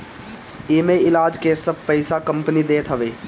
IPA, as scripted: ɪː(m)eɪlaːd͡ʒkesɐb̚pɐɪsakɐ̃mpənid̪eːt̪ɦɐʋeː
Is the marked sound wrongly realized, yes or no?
no